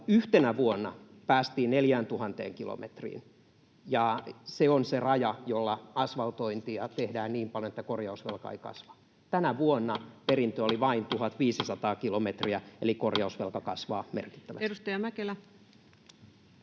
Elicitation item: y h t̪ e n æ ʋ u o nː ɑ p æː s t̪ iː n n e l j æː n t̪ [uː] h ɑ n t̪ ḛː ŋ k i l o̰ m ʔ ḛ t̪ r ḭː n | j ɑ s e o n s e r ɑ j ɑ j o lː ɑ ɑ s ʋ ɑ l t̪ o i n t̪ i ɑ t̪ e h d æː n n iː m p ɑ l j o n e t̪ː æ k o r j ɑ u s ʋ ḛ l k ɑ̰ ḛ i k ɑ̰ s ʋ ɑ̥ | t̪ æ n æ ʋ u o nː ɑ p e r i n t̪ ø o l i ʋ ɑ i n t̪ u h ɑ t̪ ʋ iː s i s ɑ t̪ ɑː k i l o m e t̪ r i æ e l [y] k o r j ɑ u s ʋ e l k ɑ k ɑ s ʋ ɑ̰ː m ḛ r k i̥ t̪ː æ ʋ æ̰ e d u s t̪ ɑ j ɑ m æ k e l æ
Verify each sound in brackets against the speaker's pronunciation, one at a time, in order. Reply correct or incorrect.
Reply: incorrect: u, incorrect: i

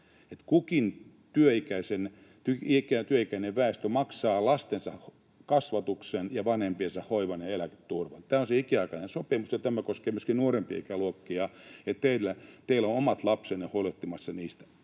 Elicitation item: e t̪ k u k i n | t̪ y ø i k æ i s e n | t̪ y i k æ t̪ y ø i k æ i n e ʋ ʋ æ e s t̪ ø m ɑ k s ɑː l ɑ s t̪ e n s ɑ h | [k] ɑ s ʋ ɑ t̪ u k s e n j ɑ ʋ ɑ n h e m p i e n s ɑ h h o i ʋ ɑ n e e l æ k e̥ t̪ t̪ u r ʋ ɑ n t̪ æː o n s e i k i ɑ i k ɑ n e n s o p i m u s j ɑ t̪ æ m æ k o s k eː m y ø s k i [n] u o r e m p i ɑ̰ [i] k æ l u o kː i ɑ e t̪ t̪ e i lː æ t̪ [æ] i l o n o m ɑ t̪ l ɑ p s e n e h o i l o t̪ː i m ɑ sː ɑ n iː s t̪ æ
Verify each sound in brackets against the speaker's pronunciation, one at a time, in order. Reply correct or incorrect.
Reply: correct, correct, correct, incorrect: e

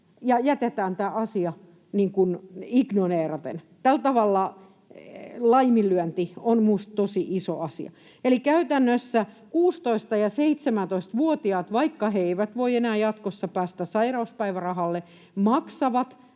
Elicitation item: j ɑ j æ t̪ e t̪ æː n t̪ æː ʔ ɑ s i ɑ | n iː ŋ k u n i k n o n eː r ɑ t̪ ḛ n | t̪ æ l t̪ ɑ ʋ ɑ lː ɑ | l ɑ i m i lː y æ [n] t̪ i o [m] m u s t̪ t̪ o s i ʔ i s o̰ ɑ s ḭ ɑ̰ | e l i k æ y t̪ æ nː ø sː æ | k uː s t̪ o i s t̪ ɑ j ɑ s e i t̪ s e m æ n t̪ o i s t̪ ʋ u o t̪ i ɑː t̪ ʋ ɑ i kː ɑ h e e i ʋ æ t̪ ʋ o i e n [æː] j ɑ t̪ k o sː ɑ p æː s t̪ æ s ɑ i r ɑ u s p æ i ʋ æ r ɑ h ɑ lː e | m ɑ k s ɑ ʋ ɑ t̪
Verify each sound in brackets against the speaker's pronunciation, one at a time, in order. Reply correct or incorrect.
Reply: correct, incorrect: n, correct

